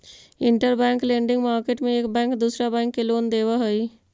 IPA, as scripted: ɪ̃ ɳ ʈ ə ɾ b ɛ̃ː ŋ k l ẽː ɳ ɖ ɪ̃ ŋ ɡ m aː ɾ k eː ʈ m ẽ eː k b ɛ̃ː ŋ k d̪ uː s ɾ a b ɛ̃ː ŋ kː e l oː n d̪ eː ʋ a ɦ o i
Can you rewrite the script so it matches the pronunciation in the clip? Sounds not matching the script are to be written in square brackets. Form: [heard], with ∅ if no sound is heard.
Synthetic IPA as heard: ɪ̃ ɳ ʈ ə ɾ b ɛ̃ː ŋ k l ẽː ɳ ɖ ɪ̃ ŋ ɡ m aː ɾ k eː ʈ m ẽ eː k b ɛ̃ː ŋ k d̪ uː s ɾ a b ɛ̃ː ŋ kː e l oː n d̪ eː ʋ a ɦ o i